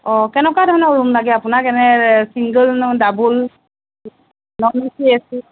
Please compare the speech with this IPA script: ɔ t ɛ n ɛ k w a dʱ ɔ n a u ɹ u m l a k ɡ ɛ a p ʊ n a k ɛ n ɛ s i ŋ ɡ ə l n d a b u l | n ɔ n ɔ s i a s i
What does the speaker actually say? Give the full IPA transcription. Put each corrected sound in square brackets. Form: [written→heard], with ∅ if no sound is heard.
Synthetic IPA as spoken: ɔ [t→k] ɛ n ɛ k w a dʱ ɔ n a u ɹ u m l a [k→∅] ɡ ɛ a p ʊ n a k ɛ n ɛ s i ŋ ɡ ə l n d a b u l | n ɔ n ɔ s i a s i

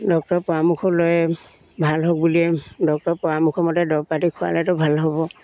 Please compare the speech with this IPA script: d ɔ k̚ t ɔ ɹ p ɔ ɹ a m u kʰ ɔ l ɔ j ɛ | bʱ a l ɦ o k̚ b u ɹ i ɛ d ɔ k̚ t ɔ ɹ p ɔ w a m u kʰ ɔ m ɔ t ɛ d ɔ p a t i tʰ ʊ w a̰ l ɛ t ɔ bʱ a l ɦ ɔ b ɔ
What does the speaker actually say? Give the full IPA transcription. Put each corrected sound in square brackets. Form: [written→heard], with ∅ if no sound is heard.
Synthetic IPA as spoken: d ɔ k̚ t ɔ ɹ p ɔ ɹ a m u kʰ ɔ l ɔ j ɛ | bʱ a l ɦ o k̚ b u [ɹ→l] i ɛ d ɔ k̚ t ɔ ɹ p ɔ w a m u kʰ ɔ m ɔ t ɛ d ɔ p a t i [tʰ→kʰ] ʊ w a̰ l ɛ t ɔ bʱ a l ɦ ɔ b ɔ

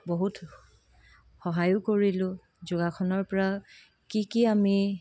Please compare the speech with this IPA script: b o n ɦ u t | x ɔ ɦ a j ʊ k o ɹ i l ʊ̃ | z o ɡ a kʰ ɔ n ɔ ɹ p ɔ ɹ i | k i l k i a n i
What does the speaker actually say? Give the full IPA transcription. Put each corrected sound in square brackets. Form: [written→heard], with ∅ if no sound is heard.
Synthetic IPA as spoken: b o [n→∅] ɦ u t | x ɔ ɦ a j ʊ k o ɹ i l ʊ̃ | z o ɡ a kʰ ɔ n ɔ ɹ p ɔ ɹ [i→a] | k i [l→∅] k i a [n→m] i

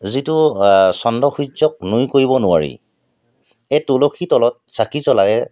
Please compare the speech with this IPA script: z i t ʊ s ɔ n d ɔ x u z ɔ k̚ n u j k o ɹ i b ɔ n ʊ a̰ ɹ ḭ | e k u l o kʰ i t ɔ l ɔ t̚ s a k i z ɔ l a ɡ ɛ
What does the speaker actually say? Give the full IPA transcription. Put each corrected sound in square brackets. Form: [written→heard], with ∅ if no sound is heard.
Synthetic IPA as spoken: z i t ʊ s ɔ n d ɔ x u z ɔ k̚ n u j k o ɹ i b ɔ n ʊ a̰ ɹ ḭ | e [k→t] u l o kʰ i t ɔ l ɔ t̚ s a k i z ɔ l a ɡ ɛ

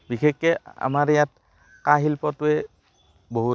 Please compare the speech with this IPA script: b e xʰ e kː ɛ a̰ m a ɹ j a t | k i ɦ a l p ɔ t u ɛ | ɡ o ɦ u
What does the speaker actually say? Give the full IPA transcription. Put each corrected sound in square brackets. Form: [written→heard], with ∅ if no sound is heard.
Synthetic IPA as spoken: b [e→i] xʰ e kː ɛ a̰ m a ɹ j a t | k [i→a] ɦ [a→i] l p ɔ t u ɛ | [ɡ→b] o ɦ u

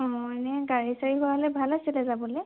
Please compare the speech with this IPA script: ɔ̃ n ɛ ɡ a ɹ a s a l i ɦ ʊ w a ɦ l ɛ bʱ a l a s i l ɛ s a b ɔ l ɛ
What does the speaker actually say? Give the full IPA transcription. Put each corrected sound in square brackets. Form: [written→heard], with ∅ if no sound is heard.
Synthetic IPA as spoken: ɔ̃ n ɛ ɡ a ɹ [a→i] s a [l→ɹ] i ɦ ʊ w a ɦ l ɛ bʱ a l a s i l ɛ [s→z] a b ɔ l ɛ

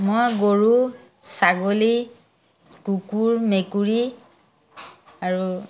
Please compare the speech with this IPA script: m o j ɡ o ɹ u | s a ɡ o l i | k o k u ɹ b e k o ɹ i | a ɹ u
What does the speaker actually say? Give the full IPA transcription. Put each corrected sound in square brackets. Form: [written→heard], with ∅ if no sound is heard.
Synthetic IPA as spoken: m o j ɡ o ɹ u | s a ɡ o l i | k [o→u] k u ɹ [b→m] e k [o→u] ɹ i | a ɹ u

